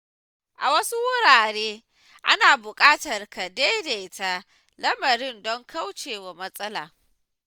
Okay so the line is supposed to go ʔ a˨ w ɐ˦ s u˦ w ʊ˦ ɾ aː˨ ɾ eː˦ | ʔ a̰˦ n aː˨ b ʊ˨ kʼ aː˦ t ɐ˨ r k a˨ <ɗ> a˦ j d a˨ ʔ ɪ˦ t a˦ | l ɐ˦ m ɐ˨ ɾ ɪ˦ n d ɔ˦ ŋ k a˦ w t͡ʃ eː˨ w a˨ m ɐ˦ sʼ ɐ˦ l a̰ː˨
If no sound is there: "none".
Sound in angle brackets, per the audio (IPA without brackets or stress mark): d